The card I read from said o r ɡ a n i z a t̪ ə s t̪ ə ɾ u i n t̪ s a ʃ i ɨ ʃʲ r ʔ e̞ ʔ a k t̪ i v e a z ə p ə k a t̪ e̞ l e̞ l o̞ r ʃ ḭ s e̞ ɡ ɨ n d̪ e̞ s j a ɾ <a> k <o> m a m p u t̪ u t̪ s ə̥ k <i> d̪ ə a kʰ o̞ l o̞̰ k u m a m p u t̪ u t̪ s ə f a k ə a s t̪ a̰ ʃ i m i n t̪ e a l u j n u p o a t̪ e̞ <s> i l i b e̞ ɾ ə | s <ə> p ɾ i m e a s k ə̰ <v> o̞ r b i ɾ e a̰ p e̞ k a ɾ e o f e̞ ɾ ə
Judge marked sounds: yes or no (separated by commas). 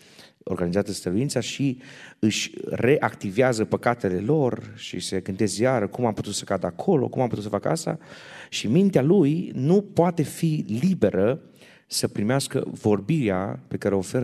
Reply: no, no, no, no, yes, yes